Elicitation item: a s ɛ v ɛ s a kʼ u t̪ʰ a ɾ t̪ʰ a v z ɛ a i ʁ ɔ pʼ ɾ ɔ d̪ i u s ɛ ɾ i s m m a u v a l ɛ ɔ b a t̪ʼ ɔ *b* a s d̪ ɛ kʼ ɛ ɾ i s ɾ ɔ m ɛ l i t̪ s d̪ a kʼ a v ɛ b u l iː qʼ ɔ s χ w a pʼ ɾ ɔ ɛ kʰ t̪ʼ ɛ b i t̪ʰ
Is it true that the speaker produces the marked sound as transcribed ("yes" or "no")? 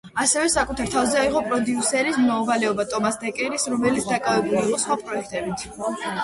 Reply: no